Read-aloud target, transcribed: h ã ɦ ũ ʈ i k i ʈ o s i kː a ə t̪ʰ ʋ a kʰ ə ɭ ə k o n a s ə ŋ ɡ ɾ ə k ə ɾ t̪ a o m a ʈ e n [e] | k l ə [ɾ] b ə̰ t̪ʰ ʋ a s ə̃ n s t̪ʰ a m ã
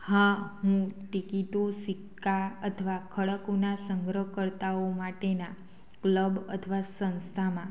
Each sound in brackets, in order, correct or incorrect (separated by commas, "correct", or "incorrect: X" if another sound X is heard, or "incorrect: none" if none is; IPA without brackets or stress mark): incorrect: a, incorrect: none